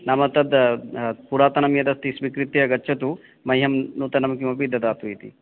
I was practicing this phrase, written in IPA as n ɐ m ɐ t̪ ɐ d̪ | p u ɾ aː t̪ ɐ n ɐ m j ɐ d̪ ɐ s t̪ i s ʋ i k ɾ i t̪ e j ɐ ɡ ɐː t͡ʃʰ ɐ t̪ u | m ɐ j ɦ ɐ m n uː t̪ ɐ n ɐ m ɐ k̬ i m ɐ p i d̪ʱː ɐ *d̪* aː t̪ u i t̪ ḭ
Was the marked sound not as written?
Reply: no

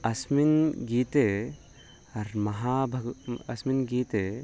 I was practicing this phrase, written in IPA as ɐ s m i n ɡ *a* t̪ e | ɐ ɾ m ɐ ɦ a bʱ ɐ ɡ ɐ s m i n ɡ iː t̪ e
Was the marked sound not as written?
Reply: yes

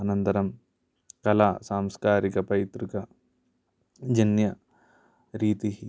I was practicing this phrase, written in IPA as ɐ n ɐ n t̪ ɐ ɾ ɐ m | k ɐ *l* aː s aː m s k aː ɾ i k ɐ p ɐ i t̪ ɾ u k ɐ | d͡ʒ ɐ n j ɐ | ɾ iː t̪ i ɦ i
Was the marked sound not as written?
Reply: no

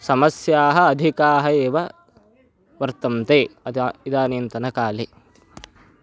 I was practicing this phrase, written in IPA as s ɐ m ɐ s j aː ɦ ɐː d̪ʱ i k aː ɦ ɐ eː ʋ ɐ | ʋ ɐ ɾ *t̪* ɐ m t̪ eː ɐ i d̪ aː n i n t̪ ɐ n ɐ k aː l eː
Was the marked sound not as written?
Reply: no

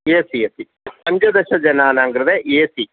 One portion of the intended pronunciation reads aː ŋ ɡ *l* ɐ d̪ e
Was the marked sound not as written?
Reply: yes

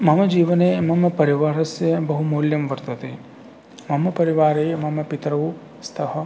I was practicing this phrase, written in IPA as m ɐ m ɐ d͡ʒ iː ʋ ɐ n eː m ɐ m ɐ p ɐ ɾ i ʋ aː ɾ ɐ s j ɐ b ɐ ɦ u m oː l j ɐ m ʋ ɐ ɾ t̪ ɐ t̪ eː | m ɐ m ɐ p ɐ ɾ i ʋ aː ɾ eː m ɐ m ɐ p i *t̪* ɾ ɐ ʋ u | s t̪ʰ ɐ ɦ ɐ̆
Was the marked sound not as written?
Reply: no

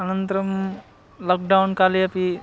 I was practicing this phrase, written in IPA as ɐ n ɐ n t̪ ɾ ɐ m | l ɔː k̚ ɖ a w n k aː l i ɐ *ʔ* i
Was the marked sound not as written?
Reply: yes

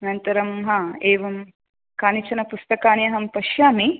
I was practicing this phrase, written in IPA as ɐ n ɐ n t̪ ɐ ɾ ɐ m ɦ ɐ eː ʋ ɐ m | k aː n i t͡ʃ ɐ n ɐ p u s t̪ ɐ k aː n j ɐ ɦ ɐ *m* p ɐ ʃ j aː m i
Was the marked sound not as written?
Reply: no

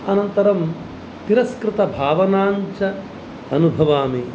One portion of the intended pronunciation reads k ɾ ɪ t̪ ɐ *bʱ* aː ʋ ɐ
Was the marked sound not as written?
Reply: no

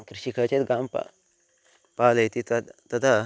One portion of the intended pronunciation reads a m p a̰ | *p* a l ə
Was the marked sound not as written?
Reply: no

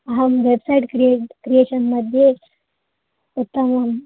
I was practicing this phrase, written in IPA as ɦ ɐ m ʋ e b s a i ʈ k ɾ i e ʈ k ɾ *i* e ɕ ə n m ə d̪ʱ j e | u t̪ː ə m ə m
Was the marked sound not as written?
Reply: no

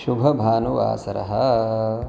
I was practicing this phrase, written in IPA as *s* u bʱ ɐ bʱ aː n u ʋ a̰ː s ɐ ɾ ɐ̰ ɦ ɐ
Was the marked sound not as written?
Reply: yes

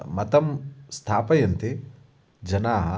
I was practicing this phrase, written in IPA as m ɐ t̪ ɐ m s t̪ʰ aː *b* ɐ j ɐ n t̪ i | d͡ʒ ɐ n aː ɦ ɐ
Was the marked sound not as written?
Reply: yes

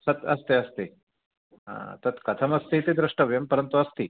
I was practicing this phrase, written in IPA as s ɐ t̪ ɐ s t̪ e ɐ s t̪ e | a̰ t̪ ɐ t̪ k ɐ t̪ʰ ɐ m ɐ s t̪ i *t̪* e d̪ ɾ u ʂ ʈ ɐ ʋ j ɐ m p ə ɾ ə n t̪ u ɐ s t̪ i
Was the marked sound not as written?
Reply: no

